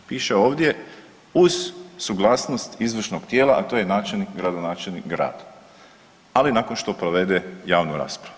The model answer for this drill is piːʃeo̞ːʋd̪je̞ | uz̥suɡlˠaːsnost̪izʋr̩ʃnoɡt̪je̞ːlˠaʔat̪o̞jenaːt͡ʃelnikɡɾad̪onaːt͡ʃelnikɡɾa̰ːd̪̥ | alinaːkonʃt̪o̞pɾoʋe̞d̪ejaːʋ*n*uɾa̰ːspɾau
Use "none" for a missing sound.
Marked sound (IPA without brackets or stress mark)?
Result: n